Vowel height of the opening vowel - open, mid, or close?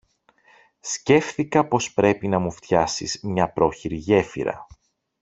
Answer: mid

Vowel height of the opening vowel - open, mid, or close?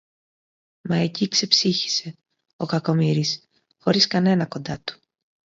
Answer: open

